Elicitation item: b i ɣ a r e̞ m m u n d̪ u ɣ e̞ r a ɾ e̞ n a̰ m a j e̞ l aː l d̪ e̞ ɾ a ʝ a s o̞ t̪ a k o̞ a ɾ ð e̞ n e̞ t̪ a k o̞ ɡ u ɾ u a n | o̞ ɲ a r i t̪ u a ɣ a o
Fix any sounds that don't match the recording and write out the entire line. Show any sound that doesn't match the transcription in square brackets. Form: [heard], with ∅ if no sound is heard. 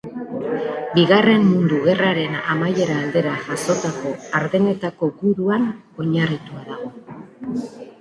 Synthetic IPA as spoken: b i ɣ a r e̞ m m u n d̪ u ɣ e̞ r a ɾ e̞ n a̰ m a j e̞ [ɾ] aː l d̪ e̞ ɾ a ʝ a s o̞ t̪ a k o̞ a ɾ ð e̞ n e̞ t̪ a k o̞ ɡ u ɾ u a n | o̞ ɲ a r i t̪ u a [ð] a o